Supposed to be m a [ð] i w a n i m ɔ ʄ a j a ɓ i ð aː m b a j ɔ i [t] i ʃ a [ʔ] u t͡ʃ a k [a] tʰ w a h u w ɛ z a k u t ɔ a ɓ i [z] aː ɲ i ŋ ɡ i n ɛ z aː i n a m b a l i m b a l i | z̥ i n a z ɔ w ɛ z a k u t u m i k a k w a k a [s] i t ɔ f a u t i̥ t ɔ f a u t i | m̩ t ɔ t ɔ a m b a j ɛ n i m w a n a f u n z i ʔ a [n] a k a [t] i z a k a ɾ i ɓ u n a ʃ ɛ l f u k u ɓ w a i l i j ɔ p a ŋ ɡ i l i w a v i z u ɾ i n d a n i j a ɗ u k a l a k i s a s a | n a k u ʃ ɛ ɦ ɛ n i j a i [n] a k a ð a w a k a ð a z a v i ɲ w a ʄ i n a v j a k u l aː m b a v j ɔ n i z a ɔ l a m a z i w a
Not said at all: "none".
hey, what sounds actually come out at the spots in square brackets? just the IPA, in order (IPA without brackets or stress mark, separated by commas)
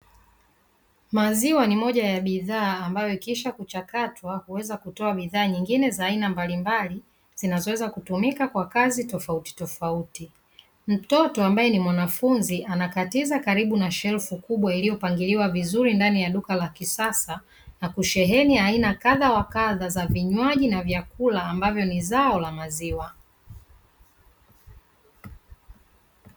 z, k, k, a, ð, z, n, t, n